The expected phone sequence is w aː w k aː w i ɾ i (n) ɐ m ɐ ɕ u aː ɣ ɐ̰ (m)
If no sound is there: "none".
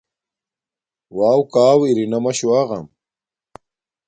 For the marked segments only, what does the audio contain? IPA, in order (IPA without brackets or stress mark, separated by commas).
n, m